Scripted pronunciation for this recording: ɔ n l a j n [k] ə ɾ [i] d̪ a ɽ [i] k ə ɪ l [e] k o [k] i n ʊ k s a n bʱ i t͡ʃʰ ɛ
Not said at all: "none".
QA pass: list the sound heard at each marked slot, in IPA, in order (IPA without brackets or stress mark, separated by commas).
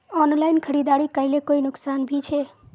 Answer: kʰ, i, i, e, none